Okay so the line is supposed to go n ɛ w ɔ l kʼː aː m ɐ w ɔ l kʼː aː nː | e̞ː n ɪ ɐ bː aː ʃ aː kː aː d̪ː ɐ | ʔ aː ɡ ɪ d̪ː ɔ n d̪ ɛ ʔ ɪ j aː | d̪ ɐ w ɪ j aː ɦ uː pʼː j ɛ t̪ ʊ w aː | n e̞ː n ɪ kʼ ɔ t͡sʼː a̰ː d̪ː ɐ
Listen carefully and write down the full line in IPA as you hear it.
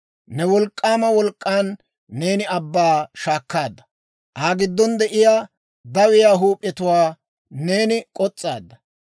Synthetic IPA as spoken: n ɛ w ɔ l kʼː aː m ɐ w ɔ l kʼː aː nː | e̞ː n ɪ ɐ bː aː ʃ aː kː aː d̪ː ɐ | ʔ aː ɡ ɪ d̪ː ɔ n d̪ ɛ ʔ ɪ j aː | d̪ ɐ w ɪ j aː ɦ uː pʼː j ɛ t̪ ʊ w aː | n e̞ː n ɪ kʼ ɔ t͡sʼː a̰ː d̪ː ɐ